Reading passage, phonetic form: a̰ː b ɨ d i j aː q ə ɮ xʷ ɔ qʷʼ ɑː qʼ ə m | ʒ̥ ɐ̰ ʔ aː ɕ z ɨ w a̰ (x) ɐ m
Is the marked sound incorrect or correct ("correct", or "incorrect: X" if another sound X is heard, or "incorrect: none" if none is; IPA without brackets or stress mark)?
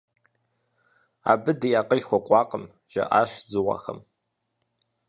correct